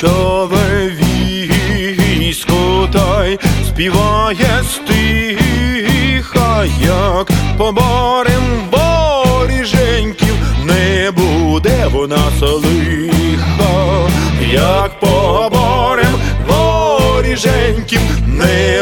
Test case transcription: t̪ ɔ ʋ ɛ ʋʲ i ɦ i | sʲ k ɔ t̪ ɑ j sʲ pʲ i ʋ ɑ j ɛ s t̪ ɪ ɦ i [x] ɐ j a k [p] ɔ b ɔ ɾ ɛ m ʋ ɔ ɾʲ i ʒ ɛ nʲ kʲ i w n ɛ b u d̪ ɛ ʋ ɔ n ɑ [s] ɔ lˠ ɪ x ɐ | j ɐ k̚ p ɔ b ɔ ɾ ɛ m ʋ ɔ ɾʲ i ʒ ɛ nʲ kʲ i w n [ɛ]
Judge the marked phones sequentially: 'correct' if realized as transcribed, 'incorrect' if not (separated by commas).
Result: correct, correct, correct, correct